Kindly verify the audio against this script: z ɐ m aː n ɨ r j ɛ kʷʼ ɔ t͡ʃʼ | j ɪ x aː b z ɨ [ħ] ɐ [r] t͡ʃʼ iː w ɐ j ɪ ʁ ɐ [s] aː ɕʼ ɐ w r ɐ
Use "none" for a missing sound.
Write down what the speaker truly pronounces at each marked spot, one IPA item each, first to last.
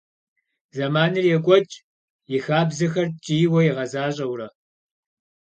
x, r, z

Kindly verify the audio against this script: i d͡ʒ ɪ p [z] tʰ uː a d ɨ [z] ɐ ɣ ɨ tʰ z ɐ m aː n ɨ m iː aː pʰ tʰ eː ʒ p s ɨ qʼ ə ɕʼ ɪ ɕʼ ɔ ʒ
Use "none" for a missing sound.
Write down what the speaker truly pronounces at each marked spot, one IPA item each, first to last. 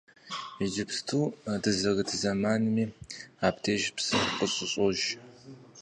s, z

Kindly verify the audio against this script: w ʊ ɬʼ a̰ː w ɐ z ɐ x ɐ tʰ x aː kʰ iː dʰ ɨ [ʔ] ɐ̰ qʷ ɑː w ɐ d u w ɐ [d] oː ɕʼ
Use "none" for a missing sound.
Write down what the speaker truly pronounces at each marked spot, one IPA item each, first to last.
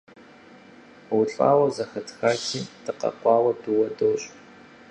q, d

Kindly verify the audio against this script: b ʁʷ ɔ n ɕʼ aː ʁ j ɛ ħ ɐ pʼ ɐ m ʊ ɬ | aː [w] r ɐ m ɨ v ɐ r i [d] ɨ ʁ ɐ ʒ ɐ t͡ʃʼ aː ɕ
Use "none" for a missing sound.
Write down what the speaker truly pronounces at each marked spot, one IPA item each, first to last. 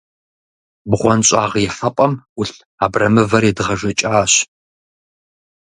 b, d

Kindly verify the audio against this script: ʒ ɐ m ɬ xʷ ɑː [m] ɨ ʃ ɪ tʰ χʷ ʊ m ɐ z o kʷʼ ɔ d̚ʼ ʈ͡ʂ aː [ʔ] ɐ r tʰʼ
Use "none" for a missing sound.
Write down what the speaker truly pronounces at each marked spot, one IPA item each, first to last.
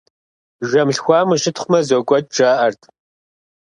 m, ʔ

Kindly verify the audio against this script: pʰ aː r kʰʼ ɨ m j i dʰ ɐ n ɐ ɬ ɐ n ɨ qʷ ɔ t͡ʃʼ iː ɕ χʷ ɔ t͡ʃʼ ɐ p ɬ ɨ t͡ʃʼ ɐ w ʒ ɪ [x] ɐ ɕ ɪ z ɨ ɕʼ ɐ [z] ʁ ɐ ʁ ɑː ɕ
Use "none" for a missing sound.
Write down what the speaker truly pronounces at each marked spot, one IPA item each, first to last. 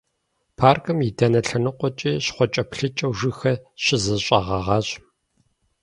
x, none

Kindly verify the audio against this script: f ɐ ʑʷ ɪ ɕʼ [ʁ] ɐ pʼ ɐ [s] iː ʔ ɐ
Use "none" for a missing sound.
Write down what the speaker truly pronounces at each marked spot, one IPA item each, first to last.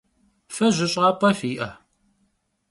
ʁ, f

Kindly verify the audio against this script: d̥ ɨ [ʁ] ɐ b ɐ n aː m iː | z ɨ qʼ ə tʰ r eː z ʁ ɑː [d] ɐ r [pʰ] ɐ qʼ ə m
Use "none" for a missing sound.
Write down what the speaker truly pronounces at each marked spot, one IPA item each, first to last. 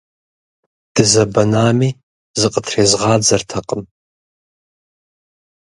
z, d͡z, tʰ

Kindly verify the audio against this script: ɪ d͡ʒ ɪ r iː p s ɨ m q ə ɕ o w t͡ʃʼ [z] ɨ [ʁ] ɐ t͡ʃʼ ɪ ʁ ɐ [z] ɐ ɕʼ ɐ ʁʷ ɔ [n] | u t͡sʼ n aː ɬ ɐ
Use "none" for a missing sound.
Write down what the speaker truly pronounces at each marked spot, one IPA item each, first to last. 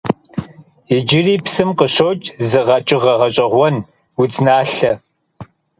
z, ʁ, ʁ, n

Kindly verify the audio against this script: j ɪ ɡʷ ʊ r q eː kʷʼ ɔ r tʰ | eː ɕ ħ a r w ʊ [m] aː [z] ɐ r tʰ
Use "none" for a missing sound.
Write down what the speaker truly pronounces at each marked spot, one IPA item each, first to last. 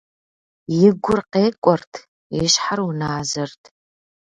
n, z

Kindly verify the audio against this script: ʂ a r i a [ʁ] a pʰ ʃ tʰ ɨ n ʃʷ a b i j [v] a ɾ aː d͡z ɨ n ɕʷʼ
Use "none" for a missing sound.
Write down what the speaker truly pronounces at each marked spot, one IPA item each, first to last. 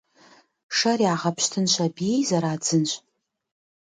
ʁ, z

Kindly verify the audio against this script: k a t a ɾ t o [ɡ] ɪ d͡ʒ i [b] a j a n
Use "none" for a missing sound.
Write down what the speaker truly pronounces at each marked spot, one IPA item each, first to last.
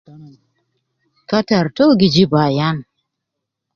ɡ, b

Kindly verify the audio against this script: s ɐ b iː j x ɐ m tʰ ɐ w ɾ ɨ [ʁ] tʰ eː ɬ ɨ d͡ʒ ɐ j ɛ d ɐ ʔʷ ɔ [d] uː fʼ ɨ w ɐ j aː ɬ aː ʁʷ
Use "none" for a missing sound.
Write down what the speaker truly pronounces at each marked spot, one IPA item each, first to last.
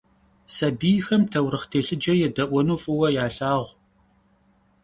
χ, n

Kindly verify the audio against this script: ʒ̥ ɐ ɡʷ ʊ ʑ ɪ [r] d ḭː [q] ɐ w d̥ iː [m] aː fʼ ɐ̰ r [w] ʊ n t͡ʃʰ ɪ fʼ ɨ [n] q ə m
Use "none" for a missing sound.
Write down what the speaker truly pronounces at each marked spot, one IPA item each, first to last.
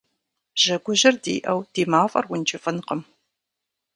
r, ʔ, m, w, n

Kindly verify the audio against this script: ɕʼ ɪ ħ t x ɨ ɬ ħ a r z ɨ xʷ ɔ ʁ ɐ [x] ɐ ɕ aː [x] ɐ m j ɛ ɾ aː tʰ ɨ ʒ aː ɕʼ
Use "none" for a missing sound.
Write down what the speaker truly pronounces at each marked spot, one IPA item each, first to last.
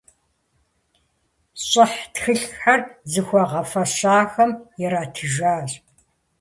f, x

